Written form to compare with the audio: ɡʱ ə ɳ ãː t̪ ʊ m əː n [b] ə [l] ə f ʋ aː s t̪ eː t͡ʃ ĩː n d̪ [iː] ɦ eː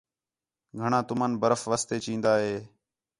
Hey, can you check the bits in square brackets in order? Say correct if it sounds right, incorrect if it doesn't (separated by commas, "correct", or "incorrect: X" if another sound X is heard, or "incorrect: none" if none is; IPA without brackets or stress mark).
correct, incorrect: ɾ, incorrect: aː